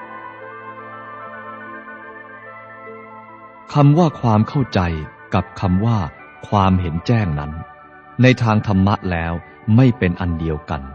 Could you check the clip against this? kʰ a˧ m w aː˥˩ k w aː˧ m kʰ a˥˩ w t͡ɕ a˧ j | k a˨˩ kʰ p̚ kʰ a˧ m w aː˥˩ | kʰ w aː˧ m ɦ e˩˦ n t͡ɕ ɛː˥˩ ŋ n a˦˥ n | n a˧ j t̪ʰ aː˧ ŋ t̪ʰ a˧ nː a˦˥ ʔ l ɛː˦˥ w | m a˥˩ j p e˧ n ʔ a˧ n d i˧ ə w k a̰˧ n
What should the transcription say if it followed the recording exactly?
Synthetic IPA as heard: kʰ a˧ m w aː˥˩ kʰ w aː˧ m kʰ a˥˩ w t͡ɕ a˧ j | k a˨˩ p̚ kʰ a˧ m w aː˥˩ | kʰ w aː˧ m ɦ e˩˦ n t͡ɕ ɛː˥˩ ŋ n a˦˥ n | n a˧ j t̪ʰ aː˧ ŋ t̪ʰ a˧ mː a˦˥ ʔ l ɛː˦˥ w | m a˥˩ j p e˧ n ʔ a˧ n d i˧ ə w k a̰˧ n